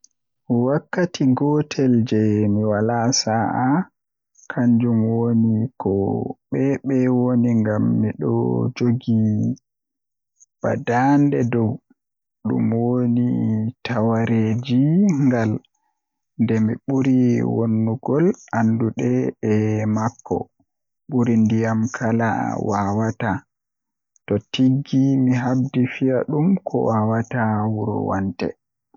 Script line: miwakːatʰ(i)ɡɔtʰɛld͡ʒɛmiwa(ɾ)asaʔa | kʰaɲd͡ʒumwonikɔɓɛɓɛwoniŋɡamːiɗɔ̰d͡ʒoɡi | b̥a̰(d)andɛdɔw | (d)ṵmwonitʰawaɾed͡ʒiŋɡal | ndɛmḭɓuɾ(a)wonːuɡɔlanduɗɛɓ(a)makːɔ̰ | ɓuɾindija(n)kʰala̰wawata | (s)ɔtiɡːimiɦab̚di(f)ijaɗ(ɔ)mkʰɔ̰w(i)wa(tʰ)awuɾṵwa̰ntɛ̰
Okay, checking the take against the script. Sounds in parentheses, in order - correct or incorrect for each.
correct, incorrect, correct, incorrect, incorrect, incorrect, incorrect, incorrect, correct, incorrect, incorrect, incorrect

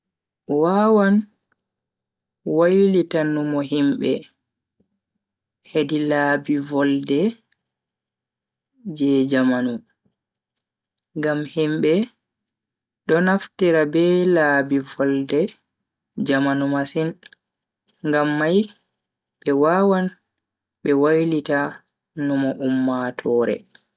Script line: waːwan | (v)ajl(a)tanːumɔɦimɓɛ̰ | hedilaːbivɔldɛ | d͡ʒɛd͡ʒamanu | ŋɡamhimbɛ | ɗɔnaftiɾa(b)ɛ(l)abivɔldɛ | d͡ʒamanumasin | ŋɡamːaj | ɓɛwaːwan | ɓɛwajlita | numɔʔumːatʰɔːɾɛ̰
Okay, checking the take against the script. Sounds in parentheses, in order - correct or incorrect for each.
incorrect, incorrect, correct, correct

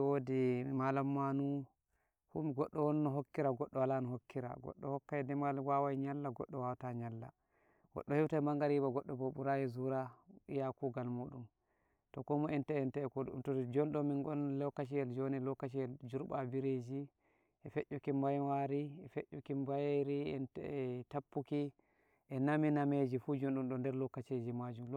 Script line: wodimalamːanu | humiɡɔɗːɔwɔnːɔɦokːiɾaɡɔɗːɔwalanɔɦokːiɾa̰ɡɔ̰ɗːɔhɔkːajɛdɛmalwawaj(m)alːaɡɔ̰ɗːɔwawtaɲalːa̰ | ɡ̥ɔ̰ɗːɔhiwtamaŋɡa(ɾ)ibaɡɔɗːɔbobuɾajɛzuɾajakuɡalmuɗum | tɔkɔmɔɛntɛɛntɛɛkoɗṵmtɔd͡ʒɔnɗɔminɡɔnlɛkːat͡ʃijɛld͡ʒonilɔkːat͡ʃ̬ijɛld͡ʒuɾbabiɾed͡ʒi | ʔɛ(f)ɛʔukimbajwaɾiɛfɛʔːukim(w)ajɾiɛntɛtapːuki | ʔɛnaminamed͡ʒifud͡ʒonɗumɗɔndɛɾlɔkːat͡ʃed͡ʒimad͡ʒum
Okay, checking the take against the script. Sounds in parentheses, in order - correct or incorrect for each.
incorrect, correct, correct, incorrect

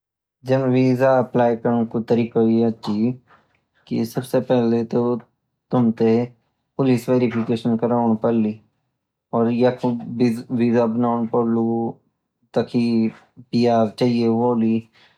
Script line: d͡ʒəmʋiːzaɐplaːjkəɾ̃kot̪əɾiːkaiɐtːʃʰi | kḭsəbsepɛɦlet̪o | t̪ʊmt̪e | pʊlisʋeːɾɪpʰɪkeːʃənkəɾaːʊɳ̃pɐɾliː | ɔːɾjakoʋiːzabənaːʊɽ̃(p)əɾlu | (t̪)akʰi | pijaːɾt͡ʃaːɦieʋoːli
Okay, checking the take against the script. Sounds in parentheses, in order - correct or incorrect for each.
correct, correct

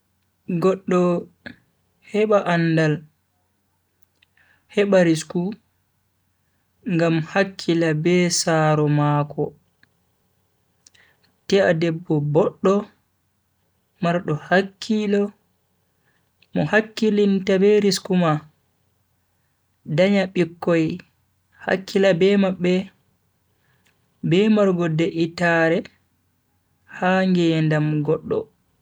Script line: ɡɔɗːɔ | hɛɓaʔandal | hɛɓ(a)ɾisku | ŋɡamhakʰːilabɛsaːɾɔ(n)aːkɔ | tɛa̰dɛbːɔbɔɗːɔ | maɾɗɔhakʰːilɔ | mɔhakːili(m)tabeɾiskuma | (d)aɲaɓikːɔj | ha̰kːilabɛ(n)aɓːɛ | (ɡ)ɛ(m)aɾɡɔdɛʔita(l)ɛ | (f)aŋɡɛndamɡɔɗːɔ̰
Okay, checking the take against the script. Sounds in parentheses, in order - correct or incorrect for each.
correct, incorrect, incorrect, correct, incorrect, incorrect, correct, incorrect, incorrect

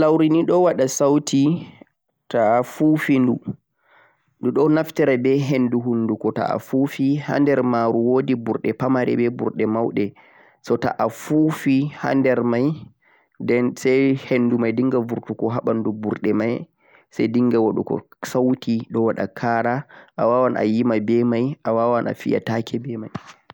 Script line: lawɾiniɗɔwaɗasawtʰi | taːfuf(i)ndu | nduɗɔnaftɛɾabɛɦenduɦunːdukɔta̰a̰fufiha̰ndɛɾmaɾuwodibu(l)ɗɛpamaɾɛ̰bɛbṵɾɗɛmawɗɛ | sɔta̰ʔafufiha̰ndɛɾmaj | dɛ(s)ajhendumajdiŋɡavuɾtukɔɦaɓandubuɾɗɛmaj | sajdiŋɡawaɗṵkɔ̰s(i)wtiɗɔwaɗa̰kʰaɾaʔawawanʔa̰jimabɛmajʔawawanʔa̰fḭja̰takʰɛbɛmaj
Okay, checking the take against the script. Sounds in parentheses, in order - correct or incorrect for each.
correct, incorrect, correct, incorrect

